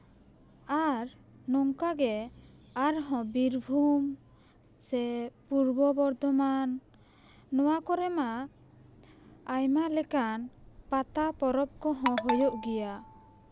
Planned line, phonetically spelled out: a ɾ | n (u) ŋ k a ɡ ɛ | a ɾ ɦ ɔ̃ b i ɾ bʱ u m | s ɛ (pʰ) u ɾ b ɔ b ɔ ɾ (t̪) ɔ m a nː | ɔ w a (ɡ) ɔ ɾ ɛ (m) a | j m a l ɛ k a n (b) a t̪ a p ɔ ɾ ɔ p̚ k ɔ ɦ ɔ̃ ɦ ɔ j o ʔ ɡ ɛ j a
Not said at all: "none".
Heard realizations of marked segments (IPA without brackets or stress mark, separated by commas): ɔ, p, d̪, k, m, p